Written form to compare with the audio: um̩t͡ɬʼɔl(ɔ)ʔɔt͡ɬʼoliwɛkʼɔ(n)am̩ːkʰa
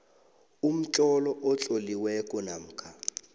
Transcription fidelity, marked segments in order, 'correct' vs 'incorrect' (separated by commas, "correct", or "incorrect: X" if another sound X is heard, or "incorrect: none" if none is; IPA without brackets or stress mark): correct, correct